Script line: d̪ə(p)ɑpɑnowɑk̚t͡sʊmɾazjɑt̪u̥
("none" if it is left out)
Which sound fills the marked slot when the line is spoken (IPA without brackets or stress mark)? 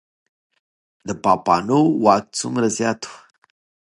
p